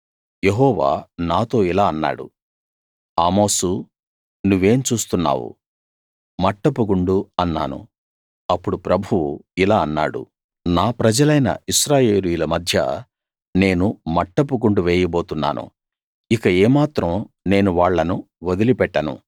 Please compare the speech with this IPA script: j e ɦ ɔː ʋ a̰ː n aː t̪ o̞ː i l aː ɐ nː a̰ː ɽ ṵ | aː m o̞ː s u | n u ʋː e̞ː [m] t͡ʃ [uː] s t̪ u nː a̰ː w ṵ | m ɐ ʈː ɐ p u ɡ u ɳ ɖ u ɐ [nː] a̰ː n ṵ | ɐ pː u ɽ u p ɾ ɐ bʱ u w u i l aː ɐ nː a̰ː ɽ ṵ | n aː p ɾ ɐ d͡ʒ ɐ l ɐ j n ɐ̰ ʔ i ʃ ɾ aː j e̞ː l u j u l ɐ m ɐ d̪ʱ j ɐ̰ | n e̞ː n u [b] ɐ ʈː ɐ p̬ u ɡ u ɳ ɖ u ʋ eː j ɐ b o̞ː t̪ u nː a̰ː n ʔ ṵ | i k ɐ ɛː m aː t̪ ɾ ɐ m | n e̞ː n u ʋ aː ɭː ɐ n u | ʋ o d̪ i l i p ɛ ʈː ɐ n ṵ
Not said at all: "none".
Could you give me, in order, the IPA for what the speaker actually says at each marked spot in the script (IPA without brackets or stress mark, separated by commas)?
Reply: m, uː, nː, m